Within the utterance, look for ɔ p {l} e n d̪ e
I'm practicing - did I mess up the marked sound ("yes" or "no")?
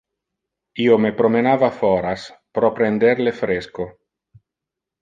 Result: yes